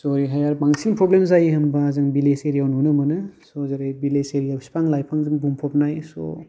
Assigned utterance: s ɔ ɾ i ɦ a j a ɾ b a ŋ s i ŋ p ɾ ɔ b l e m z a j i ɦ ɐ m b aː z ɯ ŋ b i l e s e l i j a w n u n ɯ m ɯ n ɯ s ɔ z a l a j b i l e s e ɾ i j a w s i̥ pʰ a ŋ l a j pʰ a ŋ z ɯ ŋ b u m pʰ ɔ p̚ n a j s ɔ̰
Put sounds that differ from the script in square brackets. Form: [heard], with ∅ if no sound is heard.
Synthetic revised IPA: s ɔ ɾ i ɦ a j a ɾ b a ŋ s i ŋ p ɾ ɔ b l e m z a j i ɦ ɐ m b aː z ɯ ŋ b i l e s e [ɾ] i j a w n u n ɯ m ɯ n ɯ s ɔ z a [ɾ] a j b i l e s e ɾ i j a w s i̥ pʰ a ŋ l a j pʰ a ŋ z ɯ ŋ b u m pʰ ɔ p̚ n a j s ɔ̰